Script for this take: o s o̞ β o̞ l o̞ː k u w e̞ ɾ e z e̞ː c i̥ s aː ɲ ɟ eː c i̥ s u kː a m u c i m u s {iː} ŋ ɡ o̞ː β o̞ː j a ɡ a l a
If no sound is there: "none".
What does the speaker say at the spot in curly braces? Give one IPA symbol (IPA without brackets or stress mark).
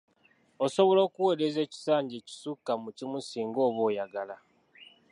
iː